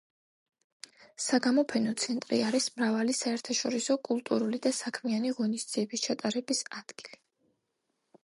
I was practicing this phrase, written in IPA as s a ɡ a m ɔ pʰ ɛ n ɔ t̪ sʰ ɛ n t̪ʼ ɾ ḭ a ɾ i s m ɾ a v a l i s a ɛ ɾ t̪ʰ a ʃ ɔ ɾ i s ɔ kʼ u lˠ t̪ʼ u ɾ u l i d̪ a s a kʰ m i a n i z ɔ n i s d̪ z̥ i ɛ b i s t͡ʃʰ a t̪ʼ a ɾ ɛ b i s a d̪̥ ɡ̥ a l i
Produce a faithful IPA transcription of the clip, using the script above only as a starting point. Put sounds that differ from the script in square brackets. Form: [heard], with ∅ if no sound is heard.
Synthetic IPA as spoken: s a ɡ a m ɔ pʰ ɛ n ɔ t̪ sʰ ɛ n t̪ʼ ɾ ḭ a ɾ i s m ɾ a v a l i s a ɛ ɾ t̪ʰ a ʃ ɔ ɾ i s ɔ kʼ u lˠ t̪ʼ u ɾ u l i d̪ a s a kʰ m i a n i [ʁ] ɔ n i s d̪ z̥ i ɛ b i s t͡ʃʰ a t̪ʼ a ɾ ɛ b i s a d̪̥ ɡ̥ [i] l i

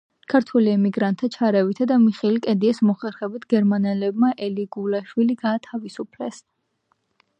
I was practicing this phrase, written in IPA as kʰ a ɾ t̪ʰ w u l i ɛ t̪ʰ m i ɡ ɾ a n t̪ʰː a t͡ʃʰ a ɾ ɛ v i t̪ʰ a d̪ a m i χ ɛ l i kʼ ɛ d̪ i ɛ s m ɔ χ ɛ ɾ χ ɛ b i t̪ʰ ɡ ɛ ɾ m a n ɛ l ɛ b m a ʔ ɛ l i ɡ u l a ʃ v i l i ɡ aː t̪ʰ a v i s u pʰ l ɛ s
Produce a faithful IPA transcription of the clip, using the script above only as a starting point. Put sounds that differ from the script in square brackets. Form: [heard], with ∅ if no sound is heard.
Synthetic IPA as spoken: kʰ a ɾ t̪ʰ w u l i ɛ [∅] m i ɡ ɾ a n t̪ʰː a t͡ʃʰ a ɾ ɛ v i t̪ʰ a d̪ a m i χ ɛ l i kʼ ɛ d̪ i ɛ s m ɔ χ ɛ ɾ χ ɛ b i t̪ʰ ɡ ɛ ɾ m a n ɛ l ɛ b m a ʔ ɛ l i ɡ u l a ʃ [w] i l i ɡ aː t̪ʰ a v i s u pʰ l ɛ s

